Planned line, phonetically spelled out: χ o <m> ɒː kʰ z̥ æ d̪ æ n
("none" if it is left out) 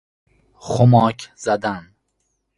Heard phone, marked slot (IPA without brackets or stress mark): m